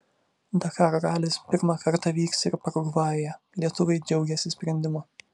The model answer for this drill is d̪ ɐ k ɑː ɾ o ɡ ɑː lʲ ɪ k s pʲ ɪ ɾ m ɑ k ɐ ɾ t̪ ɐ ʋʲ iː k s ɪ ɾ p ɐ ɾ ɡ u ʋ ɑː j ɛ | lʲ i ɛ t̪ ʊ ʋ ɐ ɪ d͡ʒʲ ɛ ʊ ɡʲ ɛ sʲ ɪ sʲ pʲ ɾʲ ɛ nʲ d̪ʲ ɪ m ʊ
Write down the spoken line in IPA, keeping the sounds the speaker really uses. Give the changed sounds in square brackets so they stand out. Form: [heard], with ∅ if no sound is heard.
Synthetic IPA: d̪ ɐ k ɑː ɾ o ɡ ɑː lʲ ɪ [∅] s pʲ ɪ ɾ m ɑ k ɐ ɾ t̪ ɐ ʋʲ iː k s ɪ ɾ p ɐ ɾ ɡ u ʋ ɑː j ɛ | lʲ i ɛ t̪ ʊ ʋ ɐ ɪ d͡ʒʲ ɛ ʊ ɡʲ ɛ sʲ ɪ sʲ pʲ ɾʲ ɛ nʲ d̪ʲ ɪ m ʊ